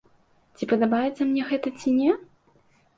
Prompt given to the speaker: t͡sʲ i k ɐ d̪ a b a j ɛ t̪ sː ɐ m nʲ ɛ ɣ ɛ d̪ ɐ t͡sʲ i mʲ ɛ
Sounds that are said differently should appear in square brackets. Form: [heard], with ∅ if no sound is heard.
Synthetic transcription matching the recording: t͡sʲ i [p] ɐ d̪ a b a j ɛ t̪ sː ɐ m nʲ ɛ ɣ ɛ [t̪] ɐ t͡sʲ i [nʲ] ɛ